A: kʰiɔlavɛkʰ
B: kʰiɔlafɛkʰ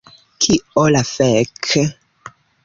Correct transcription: B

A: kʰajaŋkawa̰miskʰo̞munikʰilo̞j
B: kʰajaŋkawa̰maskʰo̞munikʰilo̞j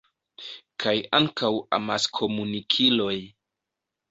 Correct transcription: B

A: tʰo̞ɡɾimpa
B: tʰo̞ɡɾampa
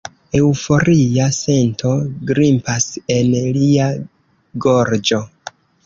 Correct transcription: A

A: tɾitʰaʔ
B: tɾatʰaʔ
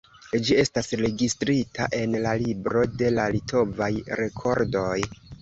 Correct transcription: A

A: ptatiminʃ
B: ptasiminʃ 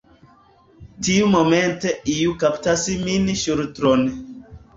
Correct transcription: B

